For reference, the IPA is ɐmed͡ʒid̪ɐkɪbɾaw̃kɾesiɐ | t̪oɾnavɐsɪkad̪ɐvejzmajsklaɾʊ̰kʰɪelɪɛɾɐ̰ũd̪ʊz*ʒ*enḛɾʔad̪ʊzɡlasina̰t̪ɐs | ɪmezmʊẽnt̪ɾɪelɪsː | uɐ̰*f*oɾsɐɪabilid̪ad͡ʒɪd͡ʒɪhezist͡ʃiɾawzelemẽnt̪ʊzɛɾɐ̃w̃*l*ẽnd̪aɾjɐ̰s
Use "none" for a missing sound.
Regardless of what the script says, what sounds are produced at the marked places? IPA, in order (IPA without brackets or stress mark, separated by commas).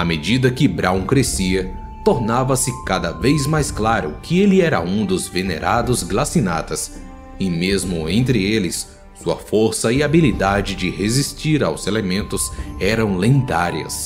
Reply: v, f, l